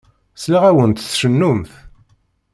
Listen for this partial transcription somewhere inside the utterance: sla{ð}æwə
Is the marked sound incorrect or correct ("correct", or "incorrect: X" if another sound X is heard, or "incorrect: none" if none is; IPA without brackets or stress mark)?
incorrect: ʁ